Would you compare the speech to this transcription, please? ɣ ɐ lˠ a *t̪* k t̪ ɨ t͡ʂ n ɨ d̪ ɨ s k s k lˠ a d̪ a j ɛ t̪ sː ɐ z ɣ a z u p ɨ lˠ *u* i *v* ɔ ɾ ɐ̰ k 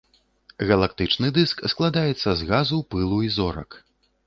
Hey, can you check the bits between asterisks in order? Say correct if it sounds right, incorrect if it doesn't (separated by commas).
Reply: incorrect, correct, incorrect